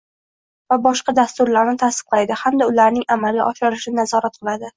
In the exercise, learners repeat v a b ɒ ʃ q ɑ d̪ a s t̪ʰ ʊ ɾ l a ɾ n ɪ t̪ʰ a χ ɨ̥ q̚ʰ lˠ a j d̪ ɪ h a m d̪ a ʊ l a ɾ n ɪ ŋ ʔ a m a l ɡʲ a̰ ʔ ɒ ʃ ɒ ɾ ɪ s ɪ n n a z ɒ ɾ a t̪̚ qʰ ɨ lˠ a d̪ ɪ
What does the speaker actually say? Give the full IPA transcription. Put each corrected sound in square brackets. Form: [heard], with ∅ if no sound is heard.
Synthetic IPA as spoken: v a b ɒ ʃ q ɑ d̪ a s [t̪] ʊ ɾ l a ɾ n ɪ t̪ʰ a [s] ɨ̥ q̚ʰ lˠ a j d̪ ɪ h a m d̪ a ʊ l a ɾ n ɪ ŋ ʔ a m a l ɡʲ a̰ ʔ ɒ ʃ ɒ ɾ ɪ [ʃ] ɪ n n a z ɒ ɾ a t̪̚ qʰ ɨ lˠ a d̪ ɪ